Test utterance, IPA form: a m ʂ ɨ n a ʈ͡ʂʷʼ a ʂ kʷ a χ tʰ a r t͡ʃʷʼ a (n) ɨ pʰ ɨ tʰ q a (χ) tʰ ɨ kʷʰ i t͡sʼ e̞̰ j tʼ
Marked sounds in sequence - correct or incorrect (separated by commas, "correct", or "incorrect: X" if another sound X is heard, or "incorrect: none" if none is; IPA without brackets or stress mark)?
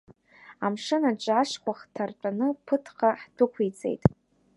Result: correct, incorrect: ħ